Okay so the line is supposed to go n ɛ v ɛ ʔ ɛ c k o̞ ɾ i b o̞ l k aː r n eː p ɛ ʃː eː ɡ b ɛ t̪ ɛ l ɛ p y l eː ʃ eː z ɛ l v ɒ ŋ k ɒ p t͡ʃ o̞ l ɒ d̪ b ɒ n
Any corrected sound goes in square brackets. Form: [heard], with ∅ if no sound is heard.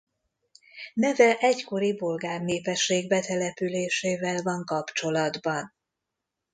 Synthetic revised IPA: n ɛ v ɛ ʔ ɛ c k o̞ ɾ i b o̞ l [ɡ] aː r n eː p ɛ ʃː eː ɡ b ɛ t̪ ɛ l ɛ p y l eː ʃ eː [v] ɛ l v ɒ ŋ k ɒ p t͡ʃ o̞ l ɒ d̪ b ɒ n

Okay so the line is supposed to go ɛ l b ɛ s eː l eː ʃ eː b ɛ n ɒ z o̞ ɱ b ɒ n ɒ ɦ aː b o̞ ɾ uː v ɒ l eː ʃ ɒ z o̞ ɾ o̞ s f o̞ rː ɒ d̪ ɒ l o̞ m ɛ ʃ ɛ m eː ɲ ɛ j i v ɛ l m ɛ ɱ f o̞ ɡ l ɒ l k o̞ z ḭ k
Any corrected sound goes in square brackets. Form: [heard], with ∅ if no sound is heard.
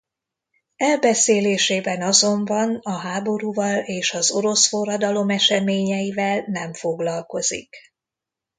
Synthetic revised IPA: ɛ l b ɛ s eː l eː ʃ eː b ɛ n ɒ z o̞ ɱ b ɒ n ɒ ɦ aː b o̞ ɾ uː v ɒ l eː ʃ ɒ z o̞ ɾ o̞ s f o̞ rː ɒ d̪ ɒ l o̞ m ɛ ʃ ɛ m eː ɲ ɛ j i v ɛ l [n] ɛ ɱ f o̞ ɡ l ɒ l k o̞ z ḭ k

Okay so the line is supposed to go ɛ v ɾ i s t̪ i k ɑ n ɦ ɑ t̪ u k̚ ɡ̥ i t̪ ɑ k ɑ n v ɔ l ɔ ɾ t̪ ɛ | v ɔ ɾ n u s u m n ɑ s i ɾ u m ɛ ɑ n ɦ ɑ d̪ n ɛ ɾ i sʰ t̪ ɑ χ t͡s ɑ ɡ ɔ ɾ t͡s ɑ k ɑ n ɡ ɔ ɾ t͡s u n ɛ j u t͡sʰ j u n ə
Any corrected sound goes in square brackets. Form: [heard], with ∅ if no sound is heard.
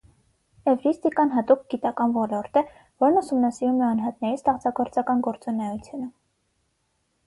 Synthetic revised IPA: ɛ v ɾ i s t̪ i k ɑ n ɦ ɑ t̪ u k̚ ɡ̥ i t̪ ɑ k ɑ n v ɔ l ɔ ɾ t̪ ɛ | v ɔ ɾ n u s u m n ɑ s i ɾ u m ɛ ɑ n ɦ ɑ [t̪] n ɛ ɾ i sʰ t̪ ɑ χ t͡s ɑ ɡ ɔ ɾ t͡s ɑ k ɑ n ɡ ɔ ɾ t͡s u n ɛ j u t͡sʰ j u n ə

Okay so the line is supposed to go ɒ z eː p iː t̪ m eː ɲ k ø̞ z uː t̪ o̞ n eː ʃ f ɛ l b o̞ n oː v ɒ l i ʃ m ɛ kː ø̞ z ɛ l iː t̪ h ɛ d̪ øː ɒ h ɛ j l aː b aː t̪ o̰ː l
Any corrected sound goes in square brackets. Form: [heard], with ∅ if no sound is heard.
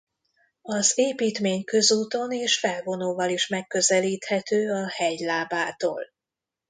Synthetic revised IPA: ɒ z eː p iː t̪ m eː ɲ k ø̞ z uː t̪ o̞ n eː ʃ f ɛ l [v] o̞ n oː v ɒ l i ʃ m ɛ kː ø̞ z ɛ l iː t̪ h ɛ [t̪] øː ɒ h ɛ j l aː b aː t̪ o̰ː l

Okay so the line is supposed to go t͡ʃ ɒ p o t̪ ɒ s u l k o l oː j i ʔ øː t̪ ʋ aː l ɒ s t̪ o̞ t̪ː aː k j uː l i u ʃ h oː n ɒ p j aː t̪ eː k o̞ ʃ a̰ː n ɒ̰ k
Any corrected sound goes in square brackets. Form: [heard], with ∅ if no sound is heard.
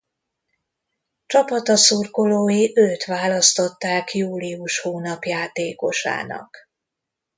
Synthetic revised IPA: t͡ʃ ɒ p [ɒ] t̪ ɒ s u [r] k o l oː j i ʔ øː t̪ ʋ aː l ɒ s t̪ o̞ t̪ː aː k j uː l i u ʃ h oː n ɒ p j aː t̪ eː k o̞ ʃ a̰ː n ɒ̰ k

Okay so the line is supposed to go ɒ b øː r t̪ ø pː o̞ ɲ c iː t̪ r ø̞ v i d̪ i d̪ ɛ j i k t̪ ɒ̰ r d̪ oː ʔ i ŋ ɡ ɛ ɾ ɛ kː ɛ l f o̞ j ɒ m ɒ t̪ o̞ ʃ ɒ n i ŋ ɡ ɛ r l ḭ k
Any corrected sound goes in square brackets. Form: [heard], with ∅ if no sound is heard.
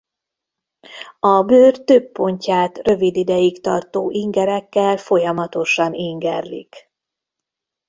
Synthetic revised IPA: ɒ b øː r t̪ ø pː o̞ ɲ c [aː] t̪ r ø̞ v i d̪ i d̪ ɛ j i k t̪ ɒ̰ r [t̪] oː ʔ i ŋ ɡ ɛ ɾ ɛ kː ɛ l f o̞ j ɒ m ɒ t̪ o̞ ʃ ɒ n i ŋ ɡ ɛ r l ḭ k

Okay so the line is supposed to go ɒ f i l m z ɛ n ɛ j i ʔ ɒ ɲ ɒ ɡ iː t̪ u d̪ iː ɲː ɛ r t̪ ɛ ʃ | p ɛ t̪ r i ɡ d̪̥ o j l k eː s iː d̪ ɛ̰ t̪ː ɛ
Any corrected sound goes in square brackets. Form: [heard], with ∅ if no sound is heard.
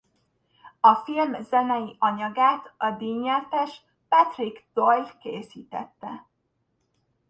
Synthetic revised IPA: ɒ f i l m z ɛ n ɛ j i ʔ ɒ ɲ ɒ ɡ [aː] t̪ [ɒ] d̪ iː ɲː ɛ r t̪ ɛ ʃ | p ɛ t̪ r i ɡ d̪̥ o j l k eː s iː [t̪] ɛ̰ t̪ː ɛ

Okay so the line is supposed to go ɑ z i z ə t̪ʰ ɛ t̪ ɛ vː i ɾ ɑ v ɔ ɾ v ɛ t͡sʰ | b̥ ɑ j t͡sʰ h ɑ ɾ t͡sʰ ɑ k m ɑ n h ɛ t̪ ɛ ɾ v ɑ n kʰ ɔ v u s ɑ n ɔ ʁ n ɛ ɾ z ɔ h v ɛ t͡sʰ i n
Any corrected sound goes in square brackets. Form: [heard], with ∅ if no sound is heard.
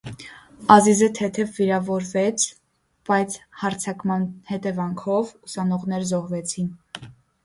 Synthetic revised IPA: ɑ z i z ə t̪ʰ ɛ [t̪ʰ] ɛ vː i ɾ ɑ v ɔ ɾ v ɛ t͡sʰ | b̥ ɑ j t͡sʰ h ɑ ɾ t͡sʰ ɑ k m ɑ n h ɛ t̪ ɛ [∅] v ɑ [ŋ] kʰ ɔ v u s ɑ n ɔ ʁ n ɛ ɾ z ɔ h v ɛ t͡sʰ i n

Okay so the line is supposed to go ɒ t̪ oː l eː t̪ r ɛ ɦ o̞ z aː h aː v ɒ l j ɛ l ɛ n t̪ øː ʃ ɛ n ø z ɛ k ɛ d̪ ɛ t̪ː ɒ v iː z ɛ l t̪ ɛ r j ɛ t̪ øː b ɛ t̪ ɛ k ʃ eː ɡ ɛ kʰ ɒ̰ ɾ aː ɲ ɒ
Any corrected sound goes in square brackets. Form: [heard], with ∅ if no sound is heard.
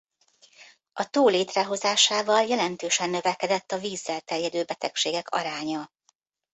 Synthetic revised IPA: ɒ t̪ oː l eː t̪ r ɛ ɦ o̞ z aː [ʃ] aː v ɒ l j ɛ l ɛ n t̪ øː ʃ ɛ [nː] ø [v] ɛ k ɛ d̪ ɛ t̪ː ɒ v iː [zː] ɛ l t̪ ɛ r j ɛ [d̪] øː b ɛ t̪ ɛ k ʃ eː ɡ ɛ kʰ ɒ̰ ɾ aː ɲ ɒ

